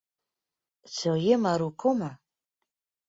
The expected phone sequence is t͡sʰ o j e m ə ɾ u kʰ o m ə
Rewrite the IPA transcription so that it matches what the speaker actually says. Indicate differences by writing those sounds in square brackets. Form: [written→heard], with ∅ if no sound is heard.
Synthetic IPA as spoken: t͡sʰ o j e m [ə→a] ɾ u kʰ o m [ə→a]